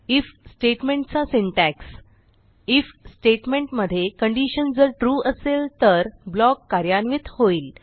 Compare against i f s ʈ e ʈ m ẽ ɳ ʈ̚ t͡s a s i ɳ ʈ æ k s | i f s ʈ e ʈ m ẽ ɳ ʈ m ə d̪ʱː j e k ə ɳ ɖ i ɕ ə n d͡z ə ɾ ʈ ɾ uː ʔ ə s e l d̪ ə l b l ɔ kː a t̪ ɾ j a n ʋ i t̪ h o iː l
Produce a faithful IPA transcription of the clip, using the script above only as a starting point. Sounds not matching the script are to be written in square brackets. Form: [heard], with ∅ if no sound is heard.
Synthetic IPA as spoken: i f s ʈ e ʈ m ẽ ɳ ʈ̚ t͡s a s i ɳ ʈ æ k s | i f s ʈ e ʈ m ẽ ɳ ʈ m ə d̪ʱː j e k ə ɳ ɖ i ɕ ə n d͡z ə ɾ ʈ ɾ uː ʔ ə s e l [t̪] ə [ɾ] b l ɔ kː a [∅] ɾ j a n ʋ i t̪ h o iː l